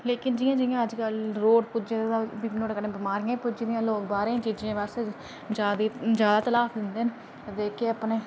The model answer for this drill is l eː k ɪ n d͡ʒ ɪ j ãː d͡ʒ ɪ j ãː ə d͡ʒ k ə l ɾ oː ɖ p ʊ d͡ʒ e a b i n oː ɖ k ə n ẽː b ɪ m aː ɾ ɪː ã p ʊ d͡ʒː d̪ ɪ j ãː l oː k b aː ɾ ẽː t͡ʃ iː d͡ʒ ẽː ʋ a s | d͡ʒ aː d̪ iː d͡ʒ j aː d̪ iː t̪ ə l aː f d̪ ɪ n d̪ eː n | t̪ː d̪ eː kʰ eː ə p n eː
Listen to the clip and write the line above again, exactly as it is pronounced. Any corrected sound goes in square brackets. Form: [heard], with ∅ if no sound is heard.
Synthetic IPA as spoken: l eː k ɪ n d͡ʒ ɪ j ãː d͡ʒ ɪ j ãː ə d͡ʒ k ə l ɾ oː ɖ p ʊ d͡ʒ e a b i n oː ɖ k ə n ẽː b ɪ m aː ɾ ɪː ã p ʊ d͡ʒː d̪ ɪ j ãː l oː k b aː ɾ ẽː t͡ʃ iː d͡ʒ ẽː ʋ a s | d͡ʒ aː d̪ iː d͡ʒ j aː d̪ [aː] t̪ ə l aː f d̪ ɪ n d̪ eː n | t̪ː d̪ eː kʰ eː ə p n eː

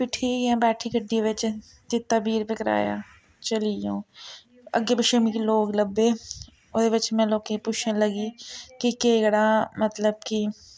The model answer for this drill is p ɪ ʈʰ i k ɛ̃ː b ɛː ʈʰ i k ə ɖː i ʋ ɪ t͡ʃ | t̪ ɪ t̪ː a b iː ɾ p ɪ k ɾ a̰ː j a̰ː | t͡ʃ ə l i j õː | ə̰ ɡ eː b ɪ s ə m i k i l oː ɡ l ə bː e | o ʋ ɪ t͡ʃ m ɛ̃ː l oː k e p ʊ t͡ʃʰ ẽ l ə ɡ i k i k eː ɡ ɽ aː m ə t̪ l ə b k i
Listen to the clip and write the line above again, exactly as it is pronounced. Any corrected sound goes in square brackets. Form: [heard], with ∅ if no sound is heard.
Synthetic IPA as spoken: p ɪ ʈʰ i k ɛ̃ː b ɛː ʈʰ i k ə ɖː i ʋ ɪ t͡ʃ | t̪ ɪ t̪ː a b iː ɾ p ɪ k ɾ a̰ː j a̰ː | t͡ʃ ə l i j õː | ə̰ ɡ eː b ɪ [ʃ] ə m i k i l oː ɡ l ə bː e | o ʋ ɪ t͡ʃ m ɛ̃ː l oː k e p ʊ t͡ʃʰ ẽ l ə ɡ i k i k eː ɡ ɽ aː m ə t̪ l ə b k i

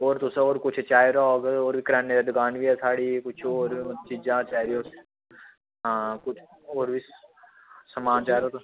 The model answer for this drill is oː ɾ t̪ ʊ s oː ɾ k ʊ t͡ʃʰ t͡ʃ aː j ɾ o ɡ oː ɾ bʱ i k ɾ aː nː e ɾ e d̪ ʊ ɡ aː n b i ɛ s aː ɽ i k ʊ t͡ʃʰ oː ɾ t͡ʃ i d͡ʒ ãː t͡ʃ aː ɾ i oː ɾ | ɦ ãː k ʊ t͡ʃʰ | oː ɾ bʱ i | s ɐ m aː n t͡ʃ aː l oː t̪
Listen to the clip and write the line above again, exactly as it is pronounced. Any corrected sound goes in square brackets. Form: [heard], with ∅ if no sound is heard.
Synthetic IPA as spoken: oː ɾ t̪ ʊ s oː ɾ k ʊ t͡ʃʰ t͡ʃ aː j ɾ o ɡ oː ɾ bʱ i k ɾ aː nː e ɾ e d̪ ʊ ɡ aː n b i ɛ s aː ɽ i k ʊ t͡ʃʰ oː ɾ t͡ʃ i d͡ʒ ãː t͡ʃ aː ɾ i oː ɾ | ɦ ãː k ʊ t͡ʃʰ | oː ɾ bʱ i | s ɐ m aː n t͡ʃ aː [ɾ] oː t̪

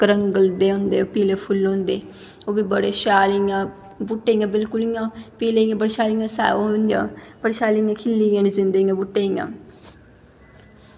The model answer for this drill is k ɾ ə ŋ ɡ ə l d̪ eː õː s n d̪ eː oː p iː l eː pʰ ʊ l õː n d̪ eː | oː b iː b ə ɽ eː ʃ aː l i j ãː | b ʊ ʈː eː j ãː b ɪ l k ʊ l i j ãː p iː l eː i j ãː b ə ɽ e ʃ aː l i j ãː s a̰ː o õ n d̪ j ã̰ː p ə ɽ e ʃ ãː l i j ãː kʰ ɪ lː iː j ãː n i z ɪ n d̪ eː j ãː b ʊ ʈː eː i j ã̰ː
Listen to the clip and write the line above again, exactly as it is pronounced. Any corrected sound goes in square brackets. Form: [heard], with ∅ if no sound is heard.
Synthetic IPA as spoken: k ɾ ə ŋ ɡ ə l d̪ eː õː [∅] n d̪ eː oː p iː l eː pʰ ʊ l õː n d̪ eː | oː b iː b ə ɽ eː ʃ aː l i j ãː | b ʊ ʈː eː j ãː b ɪ l k ʊ l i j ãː p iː l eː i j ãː b ə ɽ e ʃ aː l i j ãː s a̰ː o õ n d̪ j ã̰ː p ə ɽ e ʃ [aː] l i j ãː kʰ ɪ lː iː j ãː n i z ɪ n d̪ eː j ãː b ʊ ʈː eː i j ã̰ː

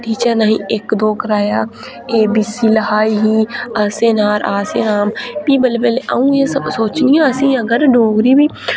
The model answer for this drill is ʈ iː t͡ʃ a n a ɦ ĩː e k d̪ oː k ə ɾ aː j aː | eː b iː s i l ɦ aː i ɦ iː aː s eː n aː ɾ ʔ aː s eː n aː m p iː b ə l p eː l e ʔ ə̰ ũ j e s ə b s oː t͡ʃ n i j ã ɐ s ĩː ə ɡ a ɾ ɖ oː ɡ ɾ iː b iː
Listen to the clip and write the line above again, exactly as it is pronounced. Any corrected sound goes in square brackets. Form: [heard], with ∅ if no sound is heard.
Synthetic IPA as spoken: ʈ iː t͡ʃ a n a ɦ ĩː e k d̪ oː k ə ɾ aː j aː | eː b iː s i l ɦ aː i ɦ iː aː s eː n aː ɾ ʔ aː s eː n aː m p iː b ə l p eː l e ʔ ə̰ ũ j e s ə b s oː t͡ʃ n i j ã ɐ s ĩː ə ɡ [ə] ɾ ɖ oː ɡ ɾ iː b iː

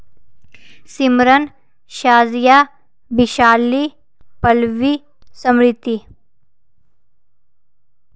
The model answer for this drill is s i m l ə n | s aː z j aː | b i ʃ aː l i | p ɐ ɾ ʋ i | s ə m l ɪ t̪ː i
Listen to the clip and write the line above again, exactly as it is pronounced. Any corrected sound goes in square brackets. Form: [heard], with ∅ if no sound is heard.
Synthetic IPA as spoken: s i m [ɾ] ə n | [ʃ] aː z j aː | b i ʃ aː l i | p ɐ [l] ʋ i | s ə m [ɾ] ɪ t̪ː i

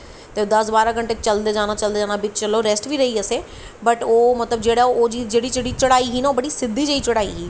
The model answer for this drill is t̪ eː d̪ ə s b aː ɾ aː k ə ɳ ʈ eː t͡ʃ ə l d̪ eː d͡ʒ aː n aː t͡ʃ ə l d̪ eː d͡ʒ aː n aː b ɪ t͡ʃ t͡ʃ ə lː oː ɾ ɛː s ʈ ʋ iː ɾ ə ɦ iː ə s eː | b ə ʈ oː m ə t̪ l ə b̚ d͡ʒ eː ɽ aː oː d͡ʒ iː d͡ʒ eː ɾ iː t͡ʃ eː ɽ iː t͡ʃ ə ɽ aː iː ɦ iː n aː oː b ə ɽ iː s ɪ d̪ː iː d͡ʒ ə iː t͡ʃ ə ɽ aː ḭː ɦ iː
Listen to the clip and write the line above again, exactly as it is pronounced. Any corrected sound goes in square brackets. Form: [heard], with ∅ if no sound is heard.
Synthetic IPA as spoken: t̪ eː d̪ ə s b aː ɾ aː k ə ɳ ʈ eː t͡ʃ ə l d̪ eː d͡ʒ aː n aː t͡ʃ ə l d̪ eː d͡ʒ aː n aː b ɪ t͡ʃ t͡ʃ ə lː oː ɾ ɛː s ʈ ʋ iː ɾ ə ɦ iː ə s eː | b ə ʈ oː m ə t̪ l ə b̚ d͡ʒ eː ɽ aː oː d͡ʒ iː d͡ʒ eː [ɽ] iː t͡ʃ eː ɽ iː t͡ʃ ə ɽ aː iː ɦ iː n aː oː b ə ɽ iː s ɪ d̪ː iː d͡ʒ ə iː t͡ʃ ə ɽ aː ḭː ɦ iː

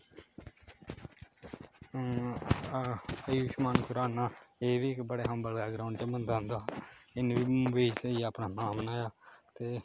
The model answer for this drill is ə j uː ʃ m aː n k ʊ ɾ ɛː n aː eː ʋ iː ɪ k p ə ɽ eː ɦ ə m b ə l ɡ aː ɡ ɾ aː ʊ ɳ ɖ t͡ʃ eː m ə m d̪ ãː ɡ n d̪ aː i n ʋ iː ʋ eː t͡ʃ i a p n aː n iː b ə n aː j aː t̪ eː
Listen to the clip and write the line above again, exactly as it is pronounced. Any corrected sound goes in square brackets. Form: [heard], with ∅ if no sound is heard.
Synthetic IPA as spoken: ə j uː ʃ m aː n k ʊ ɾ [aː] n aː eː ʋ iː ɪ k [b] ə ɽ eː ɦ ə m b ə l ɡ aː ɡ ɾ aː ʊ ɳ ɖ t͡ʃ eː m ə [n] d̪ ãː [∅] n d̪ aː [ɪ] n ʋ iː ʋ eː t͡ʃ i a p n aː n [aː] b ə n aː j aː t̪ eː

